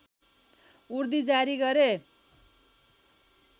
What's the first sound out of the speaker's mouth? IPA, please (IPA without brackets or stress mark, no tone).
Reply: u